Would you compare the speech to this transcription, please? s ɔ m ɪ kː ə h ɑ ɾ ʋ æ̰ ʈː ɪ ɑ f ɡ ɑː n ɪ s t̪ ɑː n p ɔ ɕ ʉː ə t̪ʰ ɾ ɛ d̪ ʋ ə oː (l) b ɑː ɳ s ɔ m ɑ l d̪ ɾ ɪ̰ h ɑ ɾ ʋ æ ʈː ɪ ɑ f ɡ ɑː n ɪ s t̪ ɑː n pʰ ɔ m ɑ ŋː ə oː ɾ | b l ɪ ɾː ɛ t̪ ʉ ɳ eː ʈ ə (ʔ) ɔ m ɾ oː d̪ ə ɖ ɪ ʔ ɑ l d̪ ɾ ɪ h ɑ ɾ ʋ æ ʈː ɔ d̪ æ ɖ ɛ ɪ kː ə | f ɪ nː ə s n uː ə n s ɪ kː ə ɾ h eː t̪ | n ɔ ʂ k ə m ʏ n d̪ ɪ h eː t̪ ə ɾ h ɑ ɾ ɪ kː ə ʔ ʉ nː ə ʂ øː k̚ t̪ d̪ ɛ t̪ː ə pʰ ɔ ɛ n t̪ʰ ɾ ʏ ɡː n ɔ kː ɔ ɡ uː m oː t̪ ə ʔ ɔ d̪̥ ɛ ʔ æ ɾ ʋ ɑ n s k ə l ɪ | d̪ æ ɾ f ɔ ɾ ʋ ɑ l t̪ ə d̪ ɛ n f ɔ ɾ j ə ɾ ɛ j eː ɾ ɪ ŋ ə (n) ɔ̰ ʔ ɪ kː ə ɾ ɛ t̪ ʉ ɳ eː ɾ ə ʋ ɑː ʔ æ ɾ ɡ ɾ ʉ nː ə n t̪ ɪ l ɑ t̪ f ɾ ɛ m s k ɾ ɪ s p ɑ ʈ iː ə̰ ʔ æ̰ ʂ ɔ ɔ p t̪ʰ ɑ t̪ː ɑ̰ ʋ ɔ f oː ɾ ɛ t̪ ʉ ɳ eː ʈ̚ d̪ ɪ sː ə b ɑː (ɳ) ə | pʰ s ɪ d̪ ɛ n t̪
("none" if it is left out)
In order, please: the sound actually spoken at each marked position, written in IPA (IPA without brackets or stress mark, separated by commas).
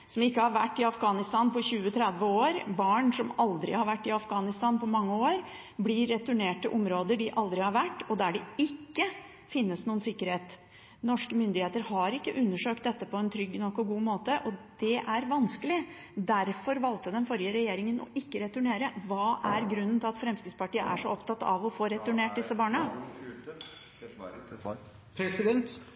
ɾ, ʔ, n, ɳ